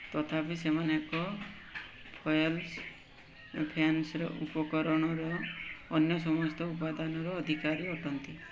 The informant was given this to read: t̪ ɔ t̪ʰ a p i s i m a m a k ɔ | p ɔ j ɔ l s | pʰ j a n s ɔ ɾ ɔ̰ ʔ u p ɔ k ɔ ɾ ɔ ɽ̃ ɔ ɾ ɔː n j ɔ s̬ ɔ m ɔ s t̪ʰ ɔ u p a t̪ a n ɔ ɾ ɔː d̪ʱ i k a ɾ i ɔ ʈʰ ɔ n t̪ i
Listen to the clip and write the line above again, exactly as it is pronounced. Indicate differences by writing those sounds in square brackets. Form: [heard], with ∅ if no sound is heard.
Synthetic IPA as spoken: t̪ ɔ t̪ʰ a p i s [e] m a [n] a k ɔ | [pʰ] ɔ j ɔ l s | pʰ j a n s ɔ ɾ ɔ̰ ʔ u p ɔ k ɔ ɾ ɔ ɽ̃ ɔ ɾ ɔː n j ɔ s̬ ɔ m ɔ s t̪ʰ ɔ u p a [d̪] a n ɔ ɾ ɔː d̪ʱ i k a ɾ i ɔ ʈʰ ɔ n t̪ i